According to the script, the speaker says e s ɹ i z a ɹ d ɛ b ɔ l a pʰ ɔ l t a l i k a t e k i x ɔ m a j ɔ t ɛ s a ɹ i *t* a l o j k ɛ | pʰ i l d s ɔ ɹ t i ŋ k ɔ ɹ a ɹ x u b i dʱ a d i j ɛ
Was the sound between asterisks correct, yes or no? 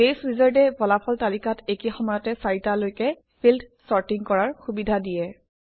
yes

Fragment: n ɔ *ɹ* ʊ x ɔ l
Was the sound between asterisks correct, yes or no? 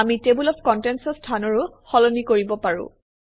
yes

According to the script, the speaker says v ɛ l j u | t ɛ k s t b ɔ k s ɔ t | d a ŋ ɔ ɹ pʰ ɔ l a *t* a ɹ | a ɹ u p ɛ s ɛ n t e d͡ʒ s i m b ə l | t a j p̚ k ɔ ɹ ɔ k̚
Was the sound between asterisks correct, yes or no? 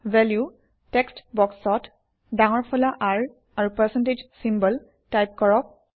no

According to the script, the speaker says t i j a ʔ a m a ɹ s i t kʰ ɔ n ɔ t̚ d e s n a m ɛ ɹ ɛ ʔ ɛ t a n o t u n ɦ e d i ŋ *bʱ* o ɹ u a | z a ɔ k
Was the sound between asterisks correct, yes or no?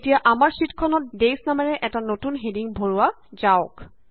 yes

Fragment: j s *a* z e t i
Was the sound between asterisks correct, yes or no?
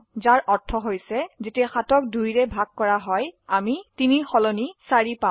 no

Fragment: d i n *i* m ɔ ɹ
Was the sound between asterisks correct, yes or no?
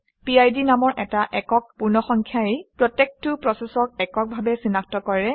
no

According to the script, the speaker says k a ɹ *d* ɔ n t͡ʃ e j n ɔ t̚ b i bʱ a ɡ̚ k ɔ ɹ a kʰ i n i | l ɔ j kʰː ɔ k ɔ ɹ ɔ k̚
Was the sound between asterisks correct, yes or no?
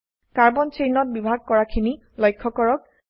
no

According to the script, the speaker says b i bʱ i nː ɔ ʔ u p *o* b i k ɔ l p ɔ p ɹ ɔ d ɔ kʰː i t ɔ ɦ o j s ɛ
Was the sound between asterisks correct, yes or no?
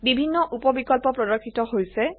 no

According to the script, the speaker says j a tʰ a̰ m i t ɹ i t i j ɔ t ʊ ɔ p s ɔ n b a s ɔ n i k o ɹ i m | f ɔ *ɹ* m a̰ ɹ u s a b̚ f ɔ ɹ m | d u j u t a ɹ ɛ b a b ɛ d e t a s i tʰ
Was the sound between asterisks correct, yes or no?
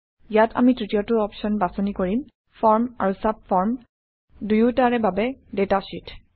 yes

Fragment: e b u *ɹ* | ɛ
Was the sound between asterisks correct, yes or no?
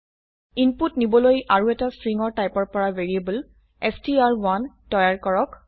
no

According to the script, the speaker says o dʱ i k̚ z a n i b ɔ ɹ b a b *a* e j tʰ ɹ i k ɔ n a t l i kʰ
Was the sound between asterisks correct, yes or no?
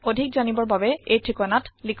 no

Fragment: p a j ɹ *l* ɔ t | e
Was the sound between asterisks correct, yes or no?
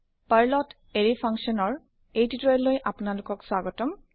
yes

